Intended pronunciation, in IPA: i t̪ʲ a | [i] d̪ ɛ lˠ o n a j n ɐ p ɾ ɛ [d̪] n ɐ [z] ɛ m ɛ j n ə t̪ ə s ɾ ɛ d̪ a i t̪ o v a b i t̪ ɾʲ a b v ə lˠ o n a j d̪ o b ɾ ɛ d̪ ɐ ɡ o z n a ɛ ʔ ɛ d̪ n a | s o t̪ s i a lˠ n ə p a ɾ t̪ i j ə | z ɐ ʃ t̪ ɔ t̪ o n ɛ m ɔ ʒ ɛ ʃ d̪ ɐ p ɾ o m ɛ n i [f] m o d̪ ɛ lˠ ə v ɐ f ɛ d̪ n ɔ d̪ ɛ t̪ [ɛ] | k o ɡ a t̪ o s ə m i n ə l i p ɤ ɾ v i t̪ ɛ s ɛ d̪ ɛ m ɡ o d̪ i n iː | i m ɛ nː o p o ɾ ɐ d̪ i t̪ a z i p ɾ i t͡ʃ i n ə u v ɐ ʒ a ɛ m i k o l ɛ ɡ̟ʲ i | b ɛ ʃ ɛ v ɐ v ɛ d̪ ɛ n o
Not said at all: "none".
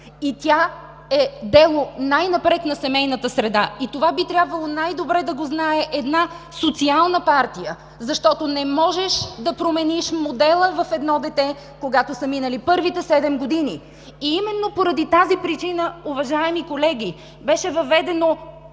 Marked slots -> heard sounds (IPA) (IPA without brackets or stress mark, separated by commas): ɛ, t̪, s, ʃ, ɛ